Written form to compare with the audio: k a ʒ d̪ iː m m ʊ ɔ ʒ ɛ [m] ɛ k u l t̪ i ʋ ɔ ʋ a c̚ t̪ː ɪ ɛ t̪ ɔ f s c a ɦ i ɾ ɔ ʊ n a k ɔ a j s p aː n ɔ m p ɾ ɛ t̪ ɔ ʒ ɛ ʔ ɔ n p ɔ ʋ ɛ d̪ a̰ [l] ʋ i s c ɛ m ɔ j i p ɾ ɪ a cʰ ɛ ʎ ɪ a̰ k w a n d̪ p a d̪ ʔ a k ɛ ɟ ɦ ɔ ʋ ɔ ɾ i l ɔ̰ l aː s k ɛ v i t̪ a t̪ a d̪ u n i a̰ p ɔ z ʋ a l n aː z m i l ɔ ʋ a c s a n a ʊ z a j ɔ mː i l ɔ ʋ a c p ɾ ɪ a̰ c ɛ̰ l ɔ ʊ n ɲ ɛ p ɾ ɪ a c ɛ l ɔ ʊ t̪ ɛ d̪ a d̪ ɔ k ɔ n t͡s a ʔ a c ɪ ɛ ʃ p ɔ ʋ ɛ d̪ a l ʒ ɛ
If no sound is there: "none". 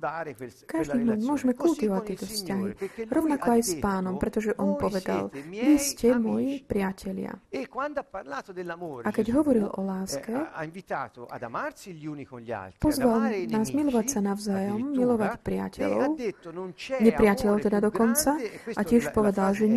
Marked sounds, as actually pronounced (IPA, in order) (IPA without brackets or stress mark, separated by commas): m, l